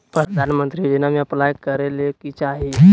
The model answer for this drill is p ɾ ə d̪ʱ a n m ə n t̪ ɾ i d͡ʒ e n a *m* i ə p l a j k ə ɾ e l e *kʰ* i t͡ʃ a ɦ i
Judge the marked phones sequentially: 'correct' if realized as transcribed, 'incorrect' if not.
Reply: correct, incorrect

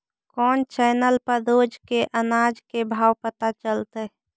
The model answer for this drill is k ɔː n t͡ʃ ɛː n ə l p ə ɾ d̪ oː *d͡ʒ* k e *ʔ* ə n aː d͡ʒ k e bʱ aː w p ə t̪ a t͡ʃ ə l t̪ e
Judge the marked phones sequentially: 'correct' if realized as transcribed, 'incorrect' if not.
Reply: correct, correct

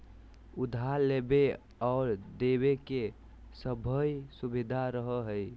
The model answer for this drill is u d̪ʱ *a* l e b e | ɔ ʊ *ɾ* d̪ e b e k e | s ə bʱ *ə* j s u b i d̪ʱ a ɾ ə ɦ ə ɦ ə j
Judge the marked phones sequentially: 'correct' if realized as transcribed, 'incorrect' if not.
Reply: correct, correct, correct

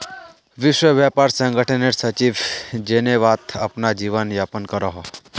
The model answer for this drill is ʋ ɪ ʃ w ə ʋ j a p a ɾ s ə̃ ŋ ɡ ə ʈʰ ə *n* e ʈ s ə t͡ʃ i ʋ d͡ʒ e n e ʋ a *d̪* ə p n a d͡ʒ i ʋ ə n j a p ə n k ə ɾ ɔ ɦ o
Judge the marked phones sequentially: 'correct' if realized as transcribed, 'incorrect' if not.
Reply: correct, incorrect

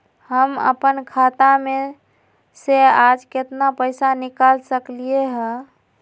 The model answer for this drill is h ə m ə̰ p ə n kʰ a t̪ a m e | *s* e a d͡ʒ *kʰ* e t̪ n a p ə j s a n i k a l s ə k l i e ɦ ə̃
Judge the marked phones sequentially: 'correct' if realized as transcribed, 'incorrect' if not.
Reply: correct, incorrect

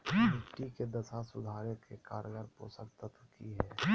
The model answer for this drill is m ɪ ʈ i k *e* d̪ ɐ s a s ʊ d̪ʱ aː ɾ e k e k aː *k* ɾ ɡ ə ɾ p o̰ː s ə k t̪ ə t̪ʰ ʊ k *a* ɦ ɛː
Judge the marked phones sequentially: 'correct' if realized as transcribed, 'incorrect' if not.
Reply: correct, incorrect, incorrect

